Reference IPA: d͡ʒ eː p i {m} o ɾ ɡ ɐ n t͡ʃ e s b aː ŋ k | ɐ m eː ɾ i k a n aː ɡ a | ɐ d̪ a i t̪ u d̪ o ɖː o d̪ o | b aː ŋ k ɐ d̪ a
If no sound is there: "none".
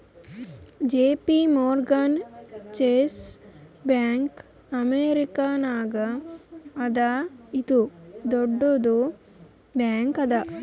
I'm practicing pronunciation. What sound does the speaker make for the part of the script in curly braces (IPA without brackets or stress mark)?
m